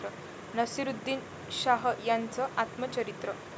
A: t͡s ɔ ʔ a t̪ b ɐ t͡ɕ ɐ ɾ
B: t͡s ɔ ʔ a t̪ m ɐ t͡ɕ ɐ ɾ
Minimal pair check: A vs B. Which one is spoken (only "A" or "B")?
B